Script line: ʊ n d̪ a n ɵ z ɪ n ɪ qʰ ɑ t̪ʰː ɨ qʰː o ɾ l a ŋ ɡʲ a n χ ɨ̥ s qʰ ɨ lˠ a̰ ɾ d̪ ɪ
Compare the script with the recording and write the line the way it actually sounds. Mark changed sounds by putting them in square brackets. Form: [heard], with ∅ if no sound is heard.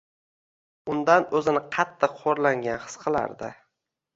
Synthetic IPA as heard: ʊ n d̪ a n ɵ z ɪ n ɪ qʰ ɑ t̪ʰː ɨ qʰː o ɾ l a ŋ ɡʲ a n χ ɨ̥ s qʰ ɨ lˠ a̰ ɾ d̪ ɪ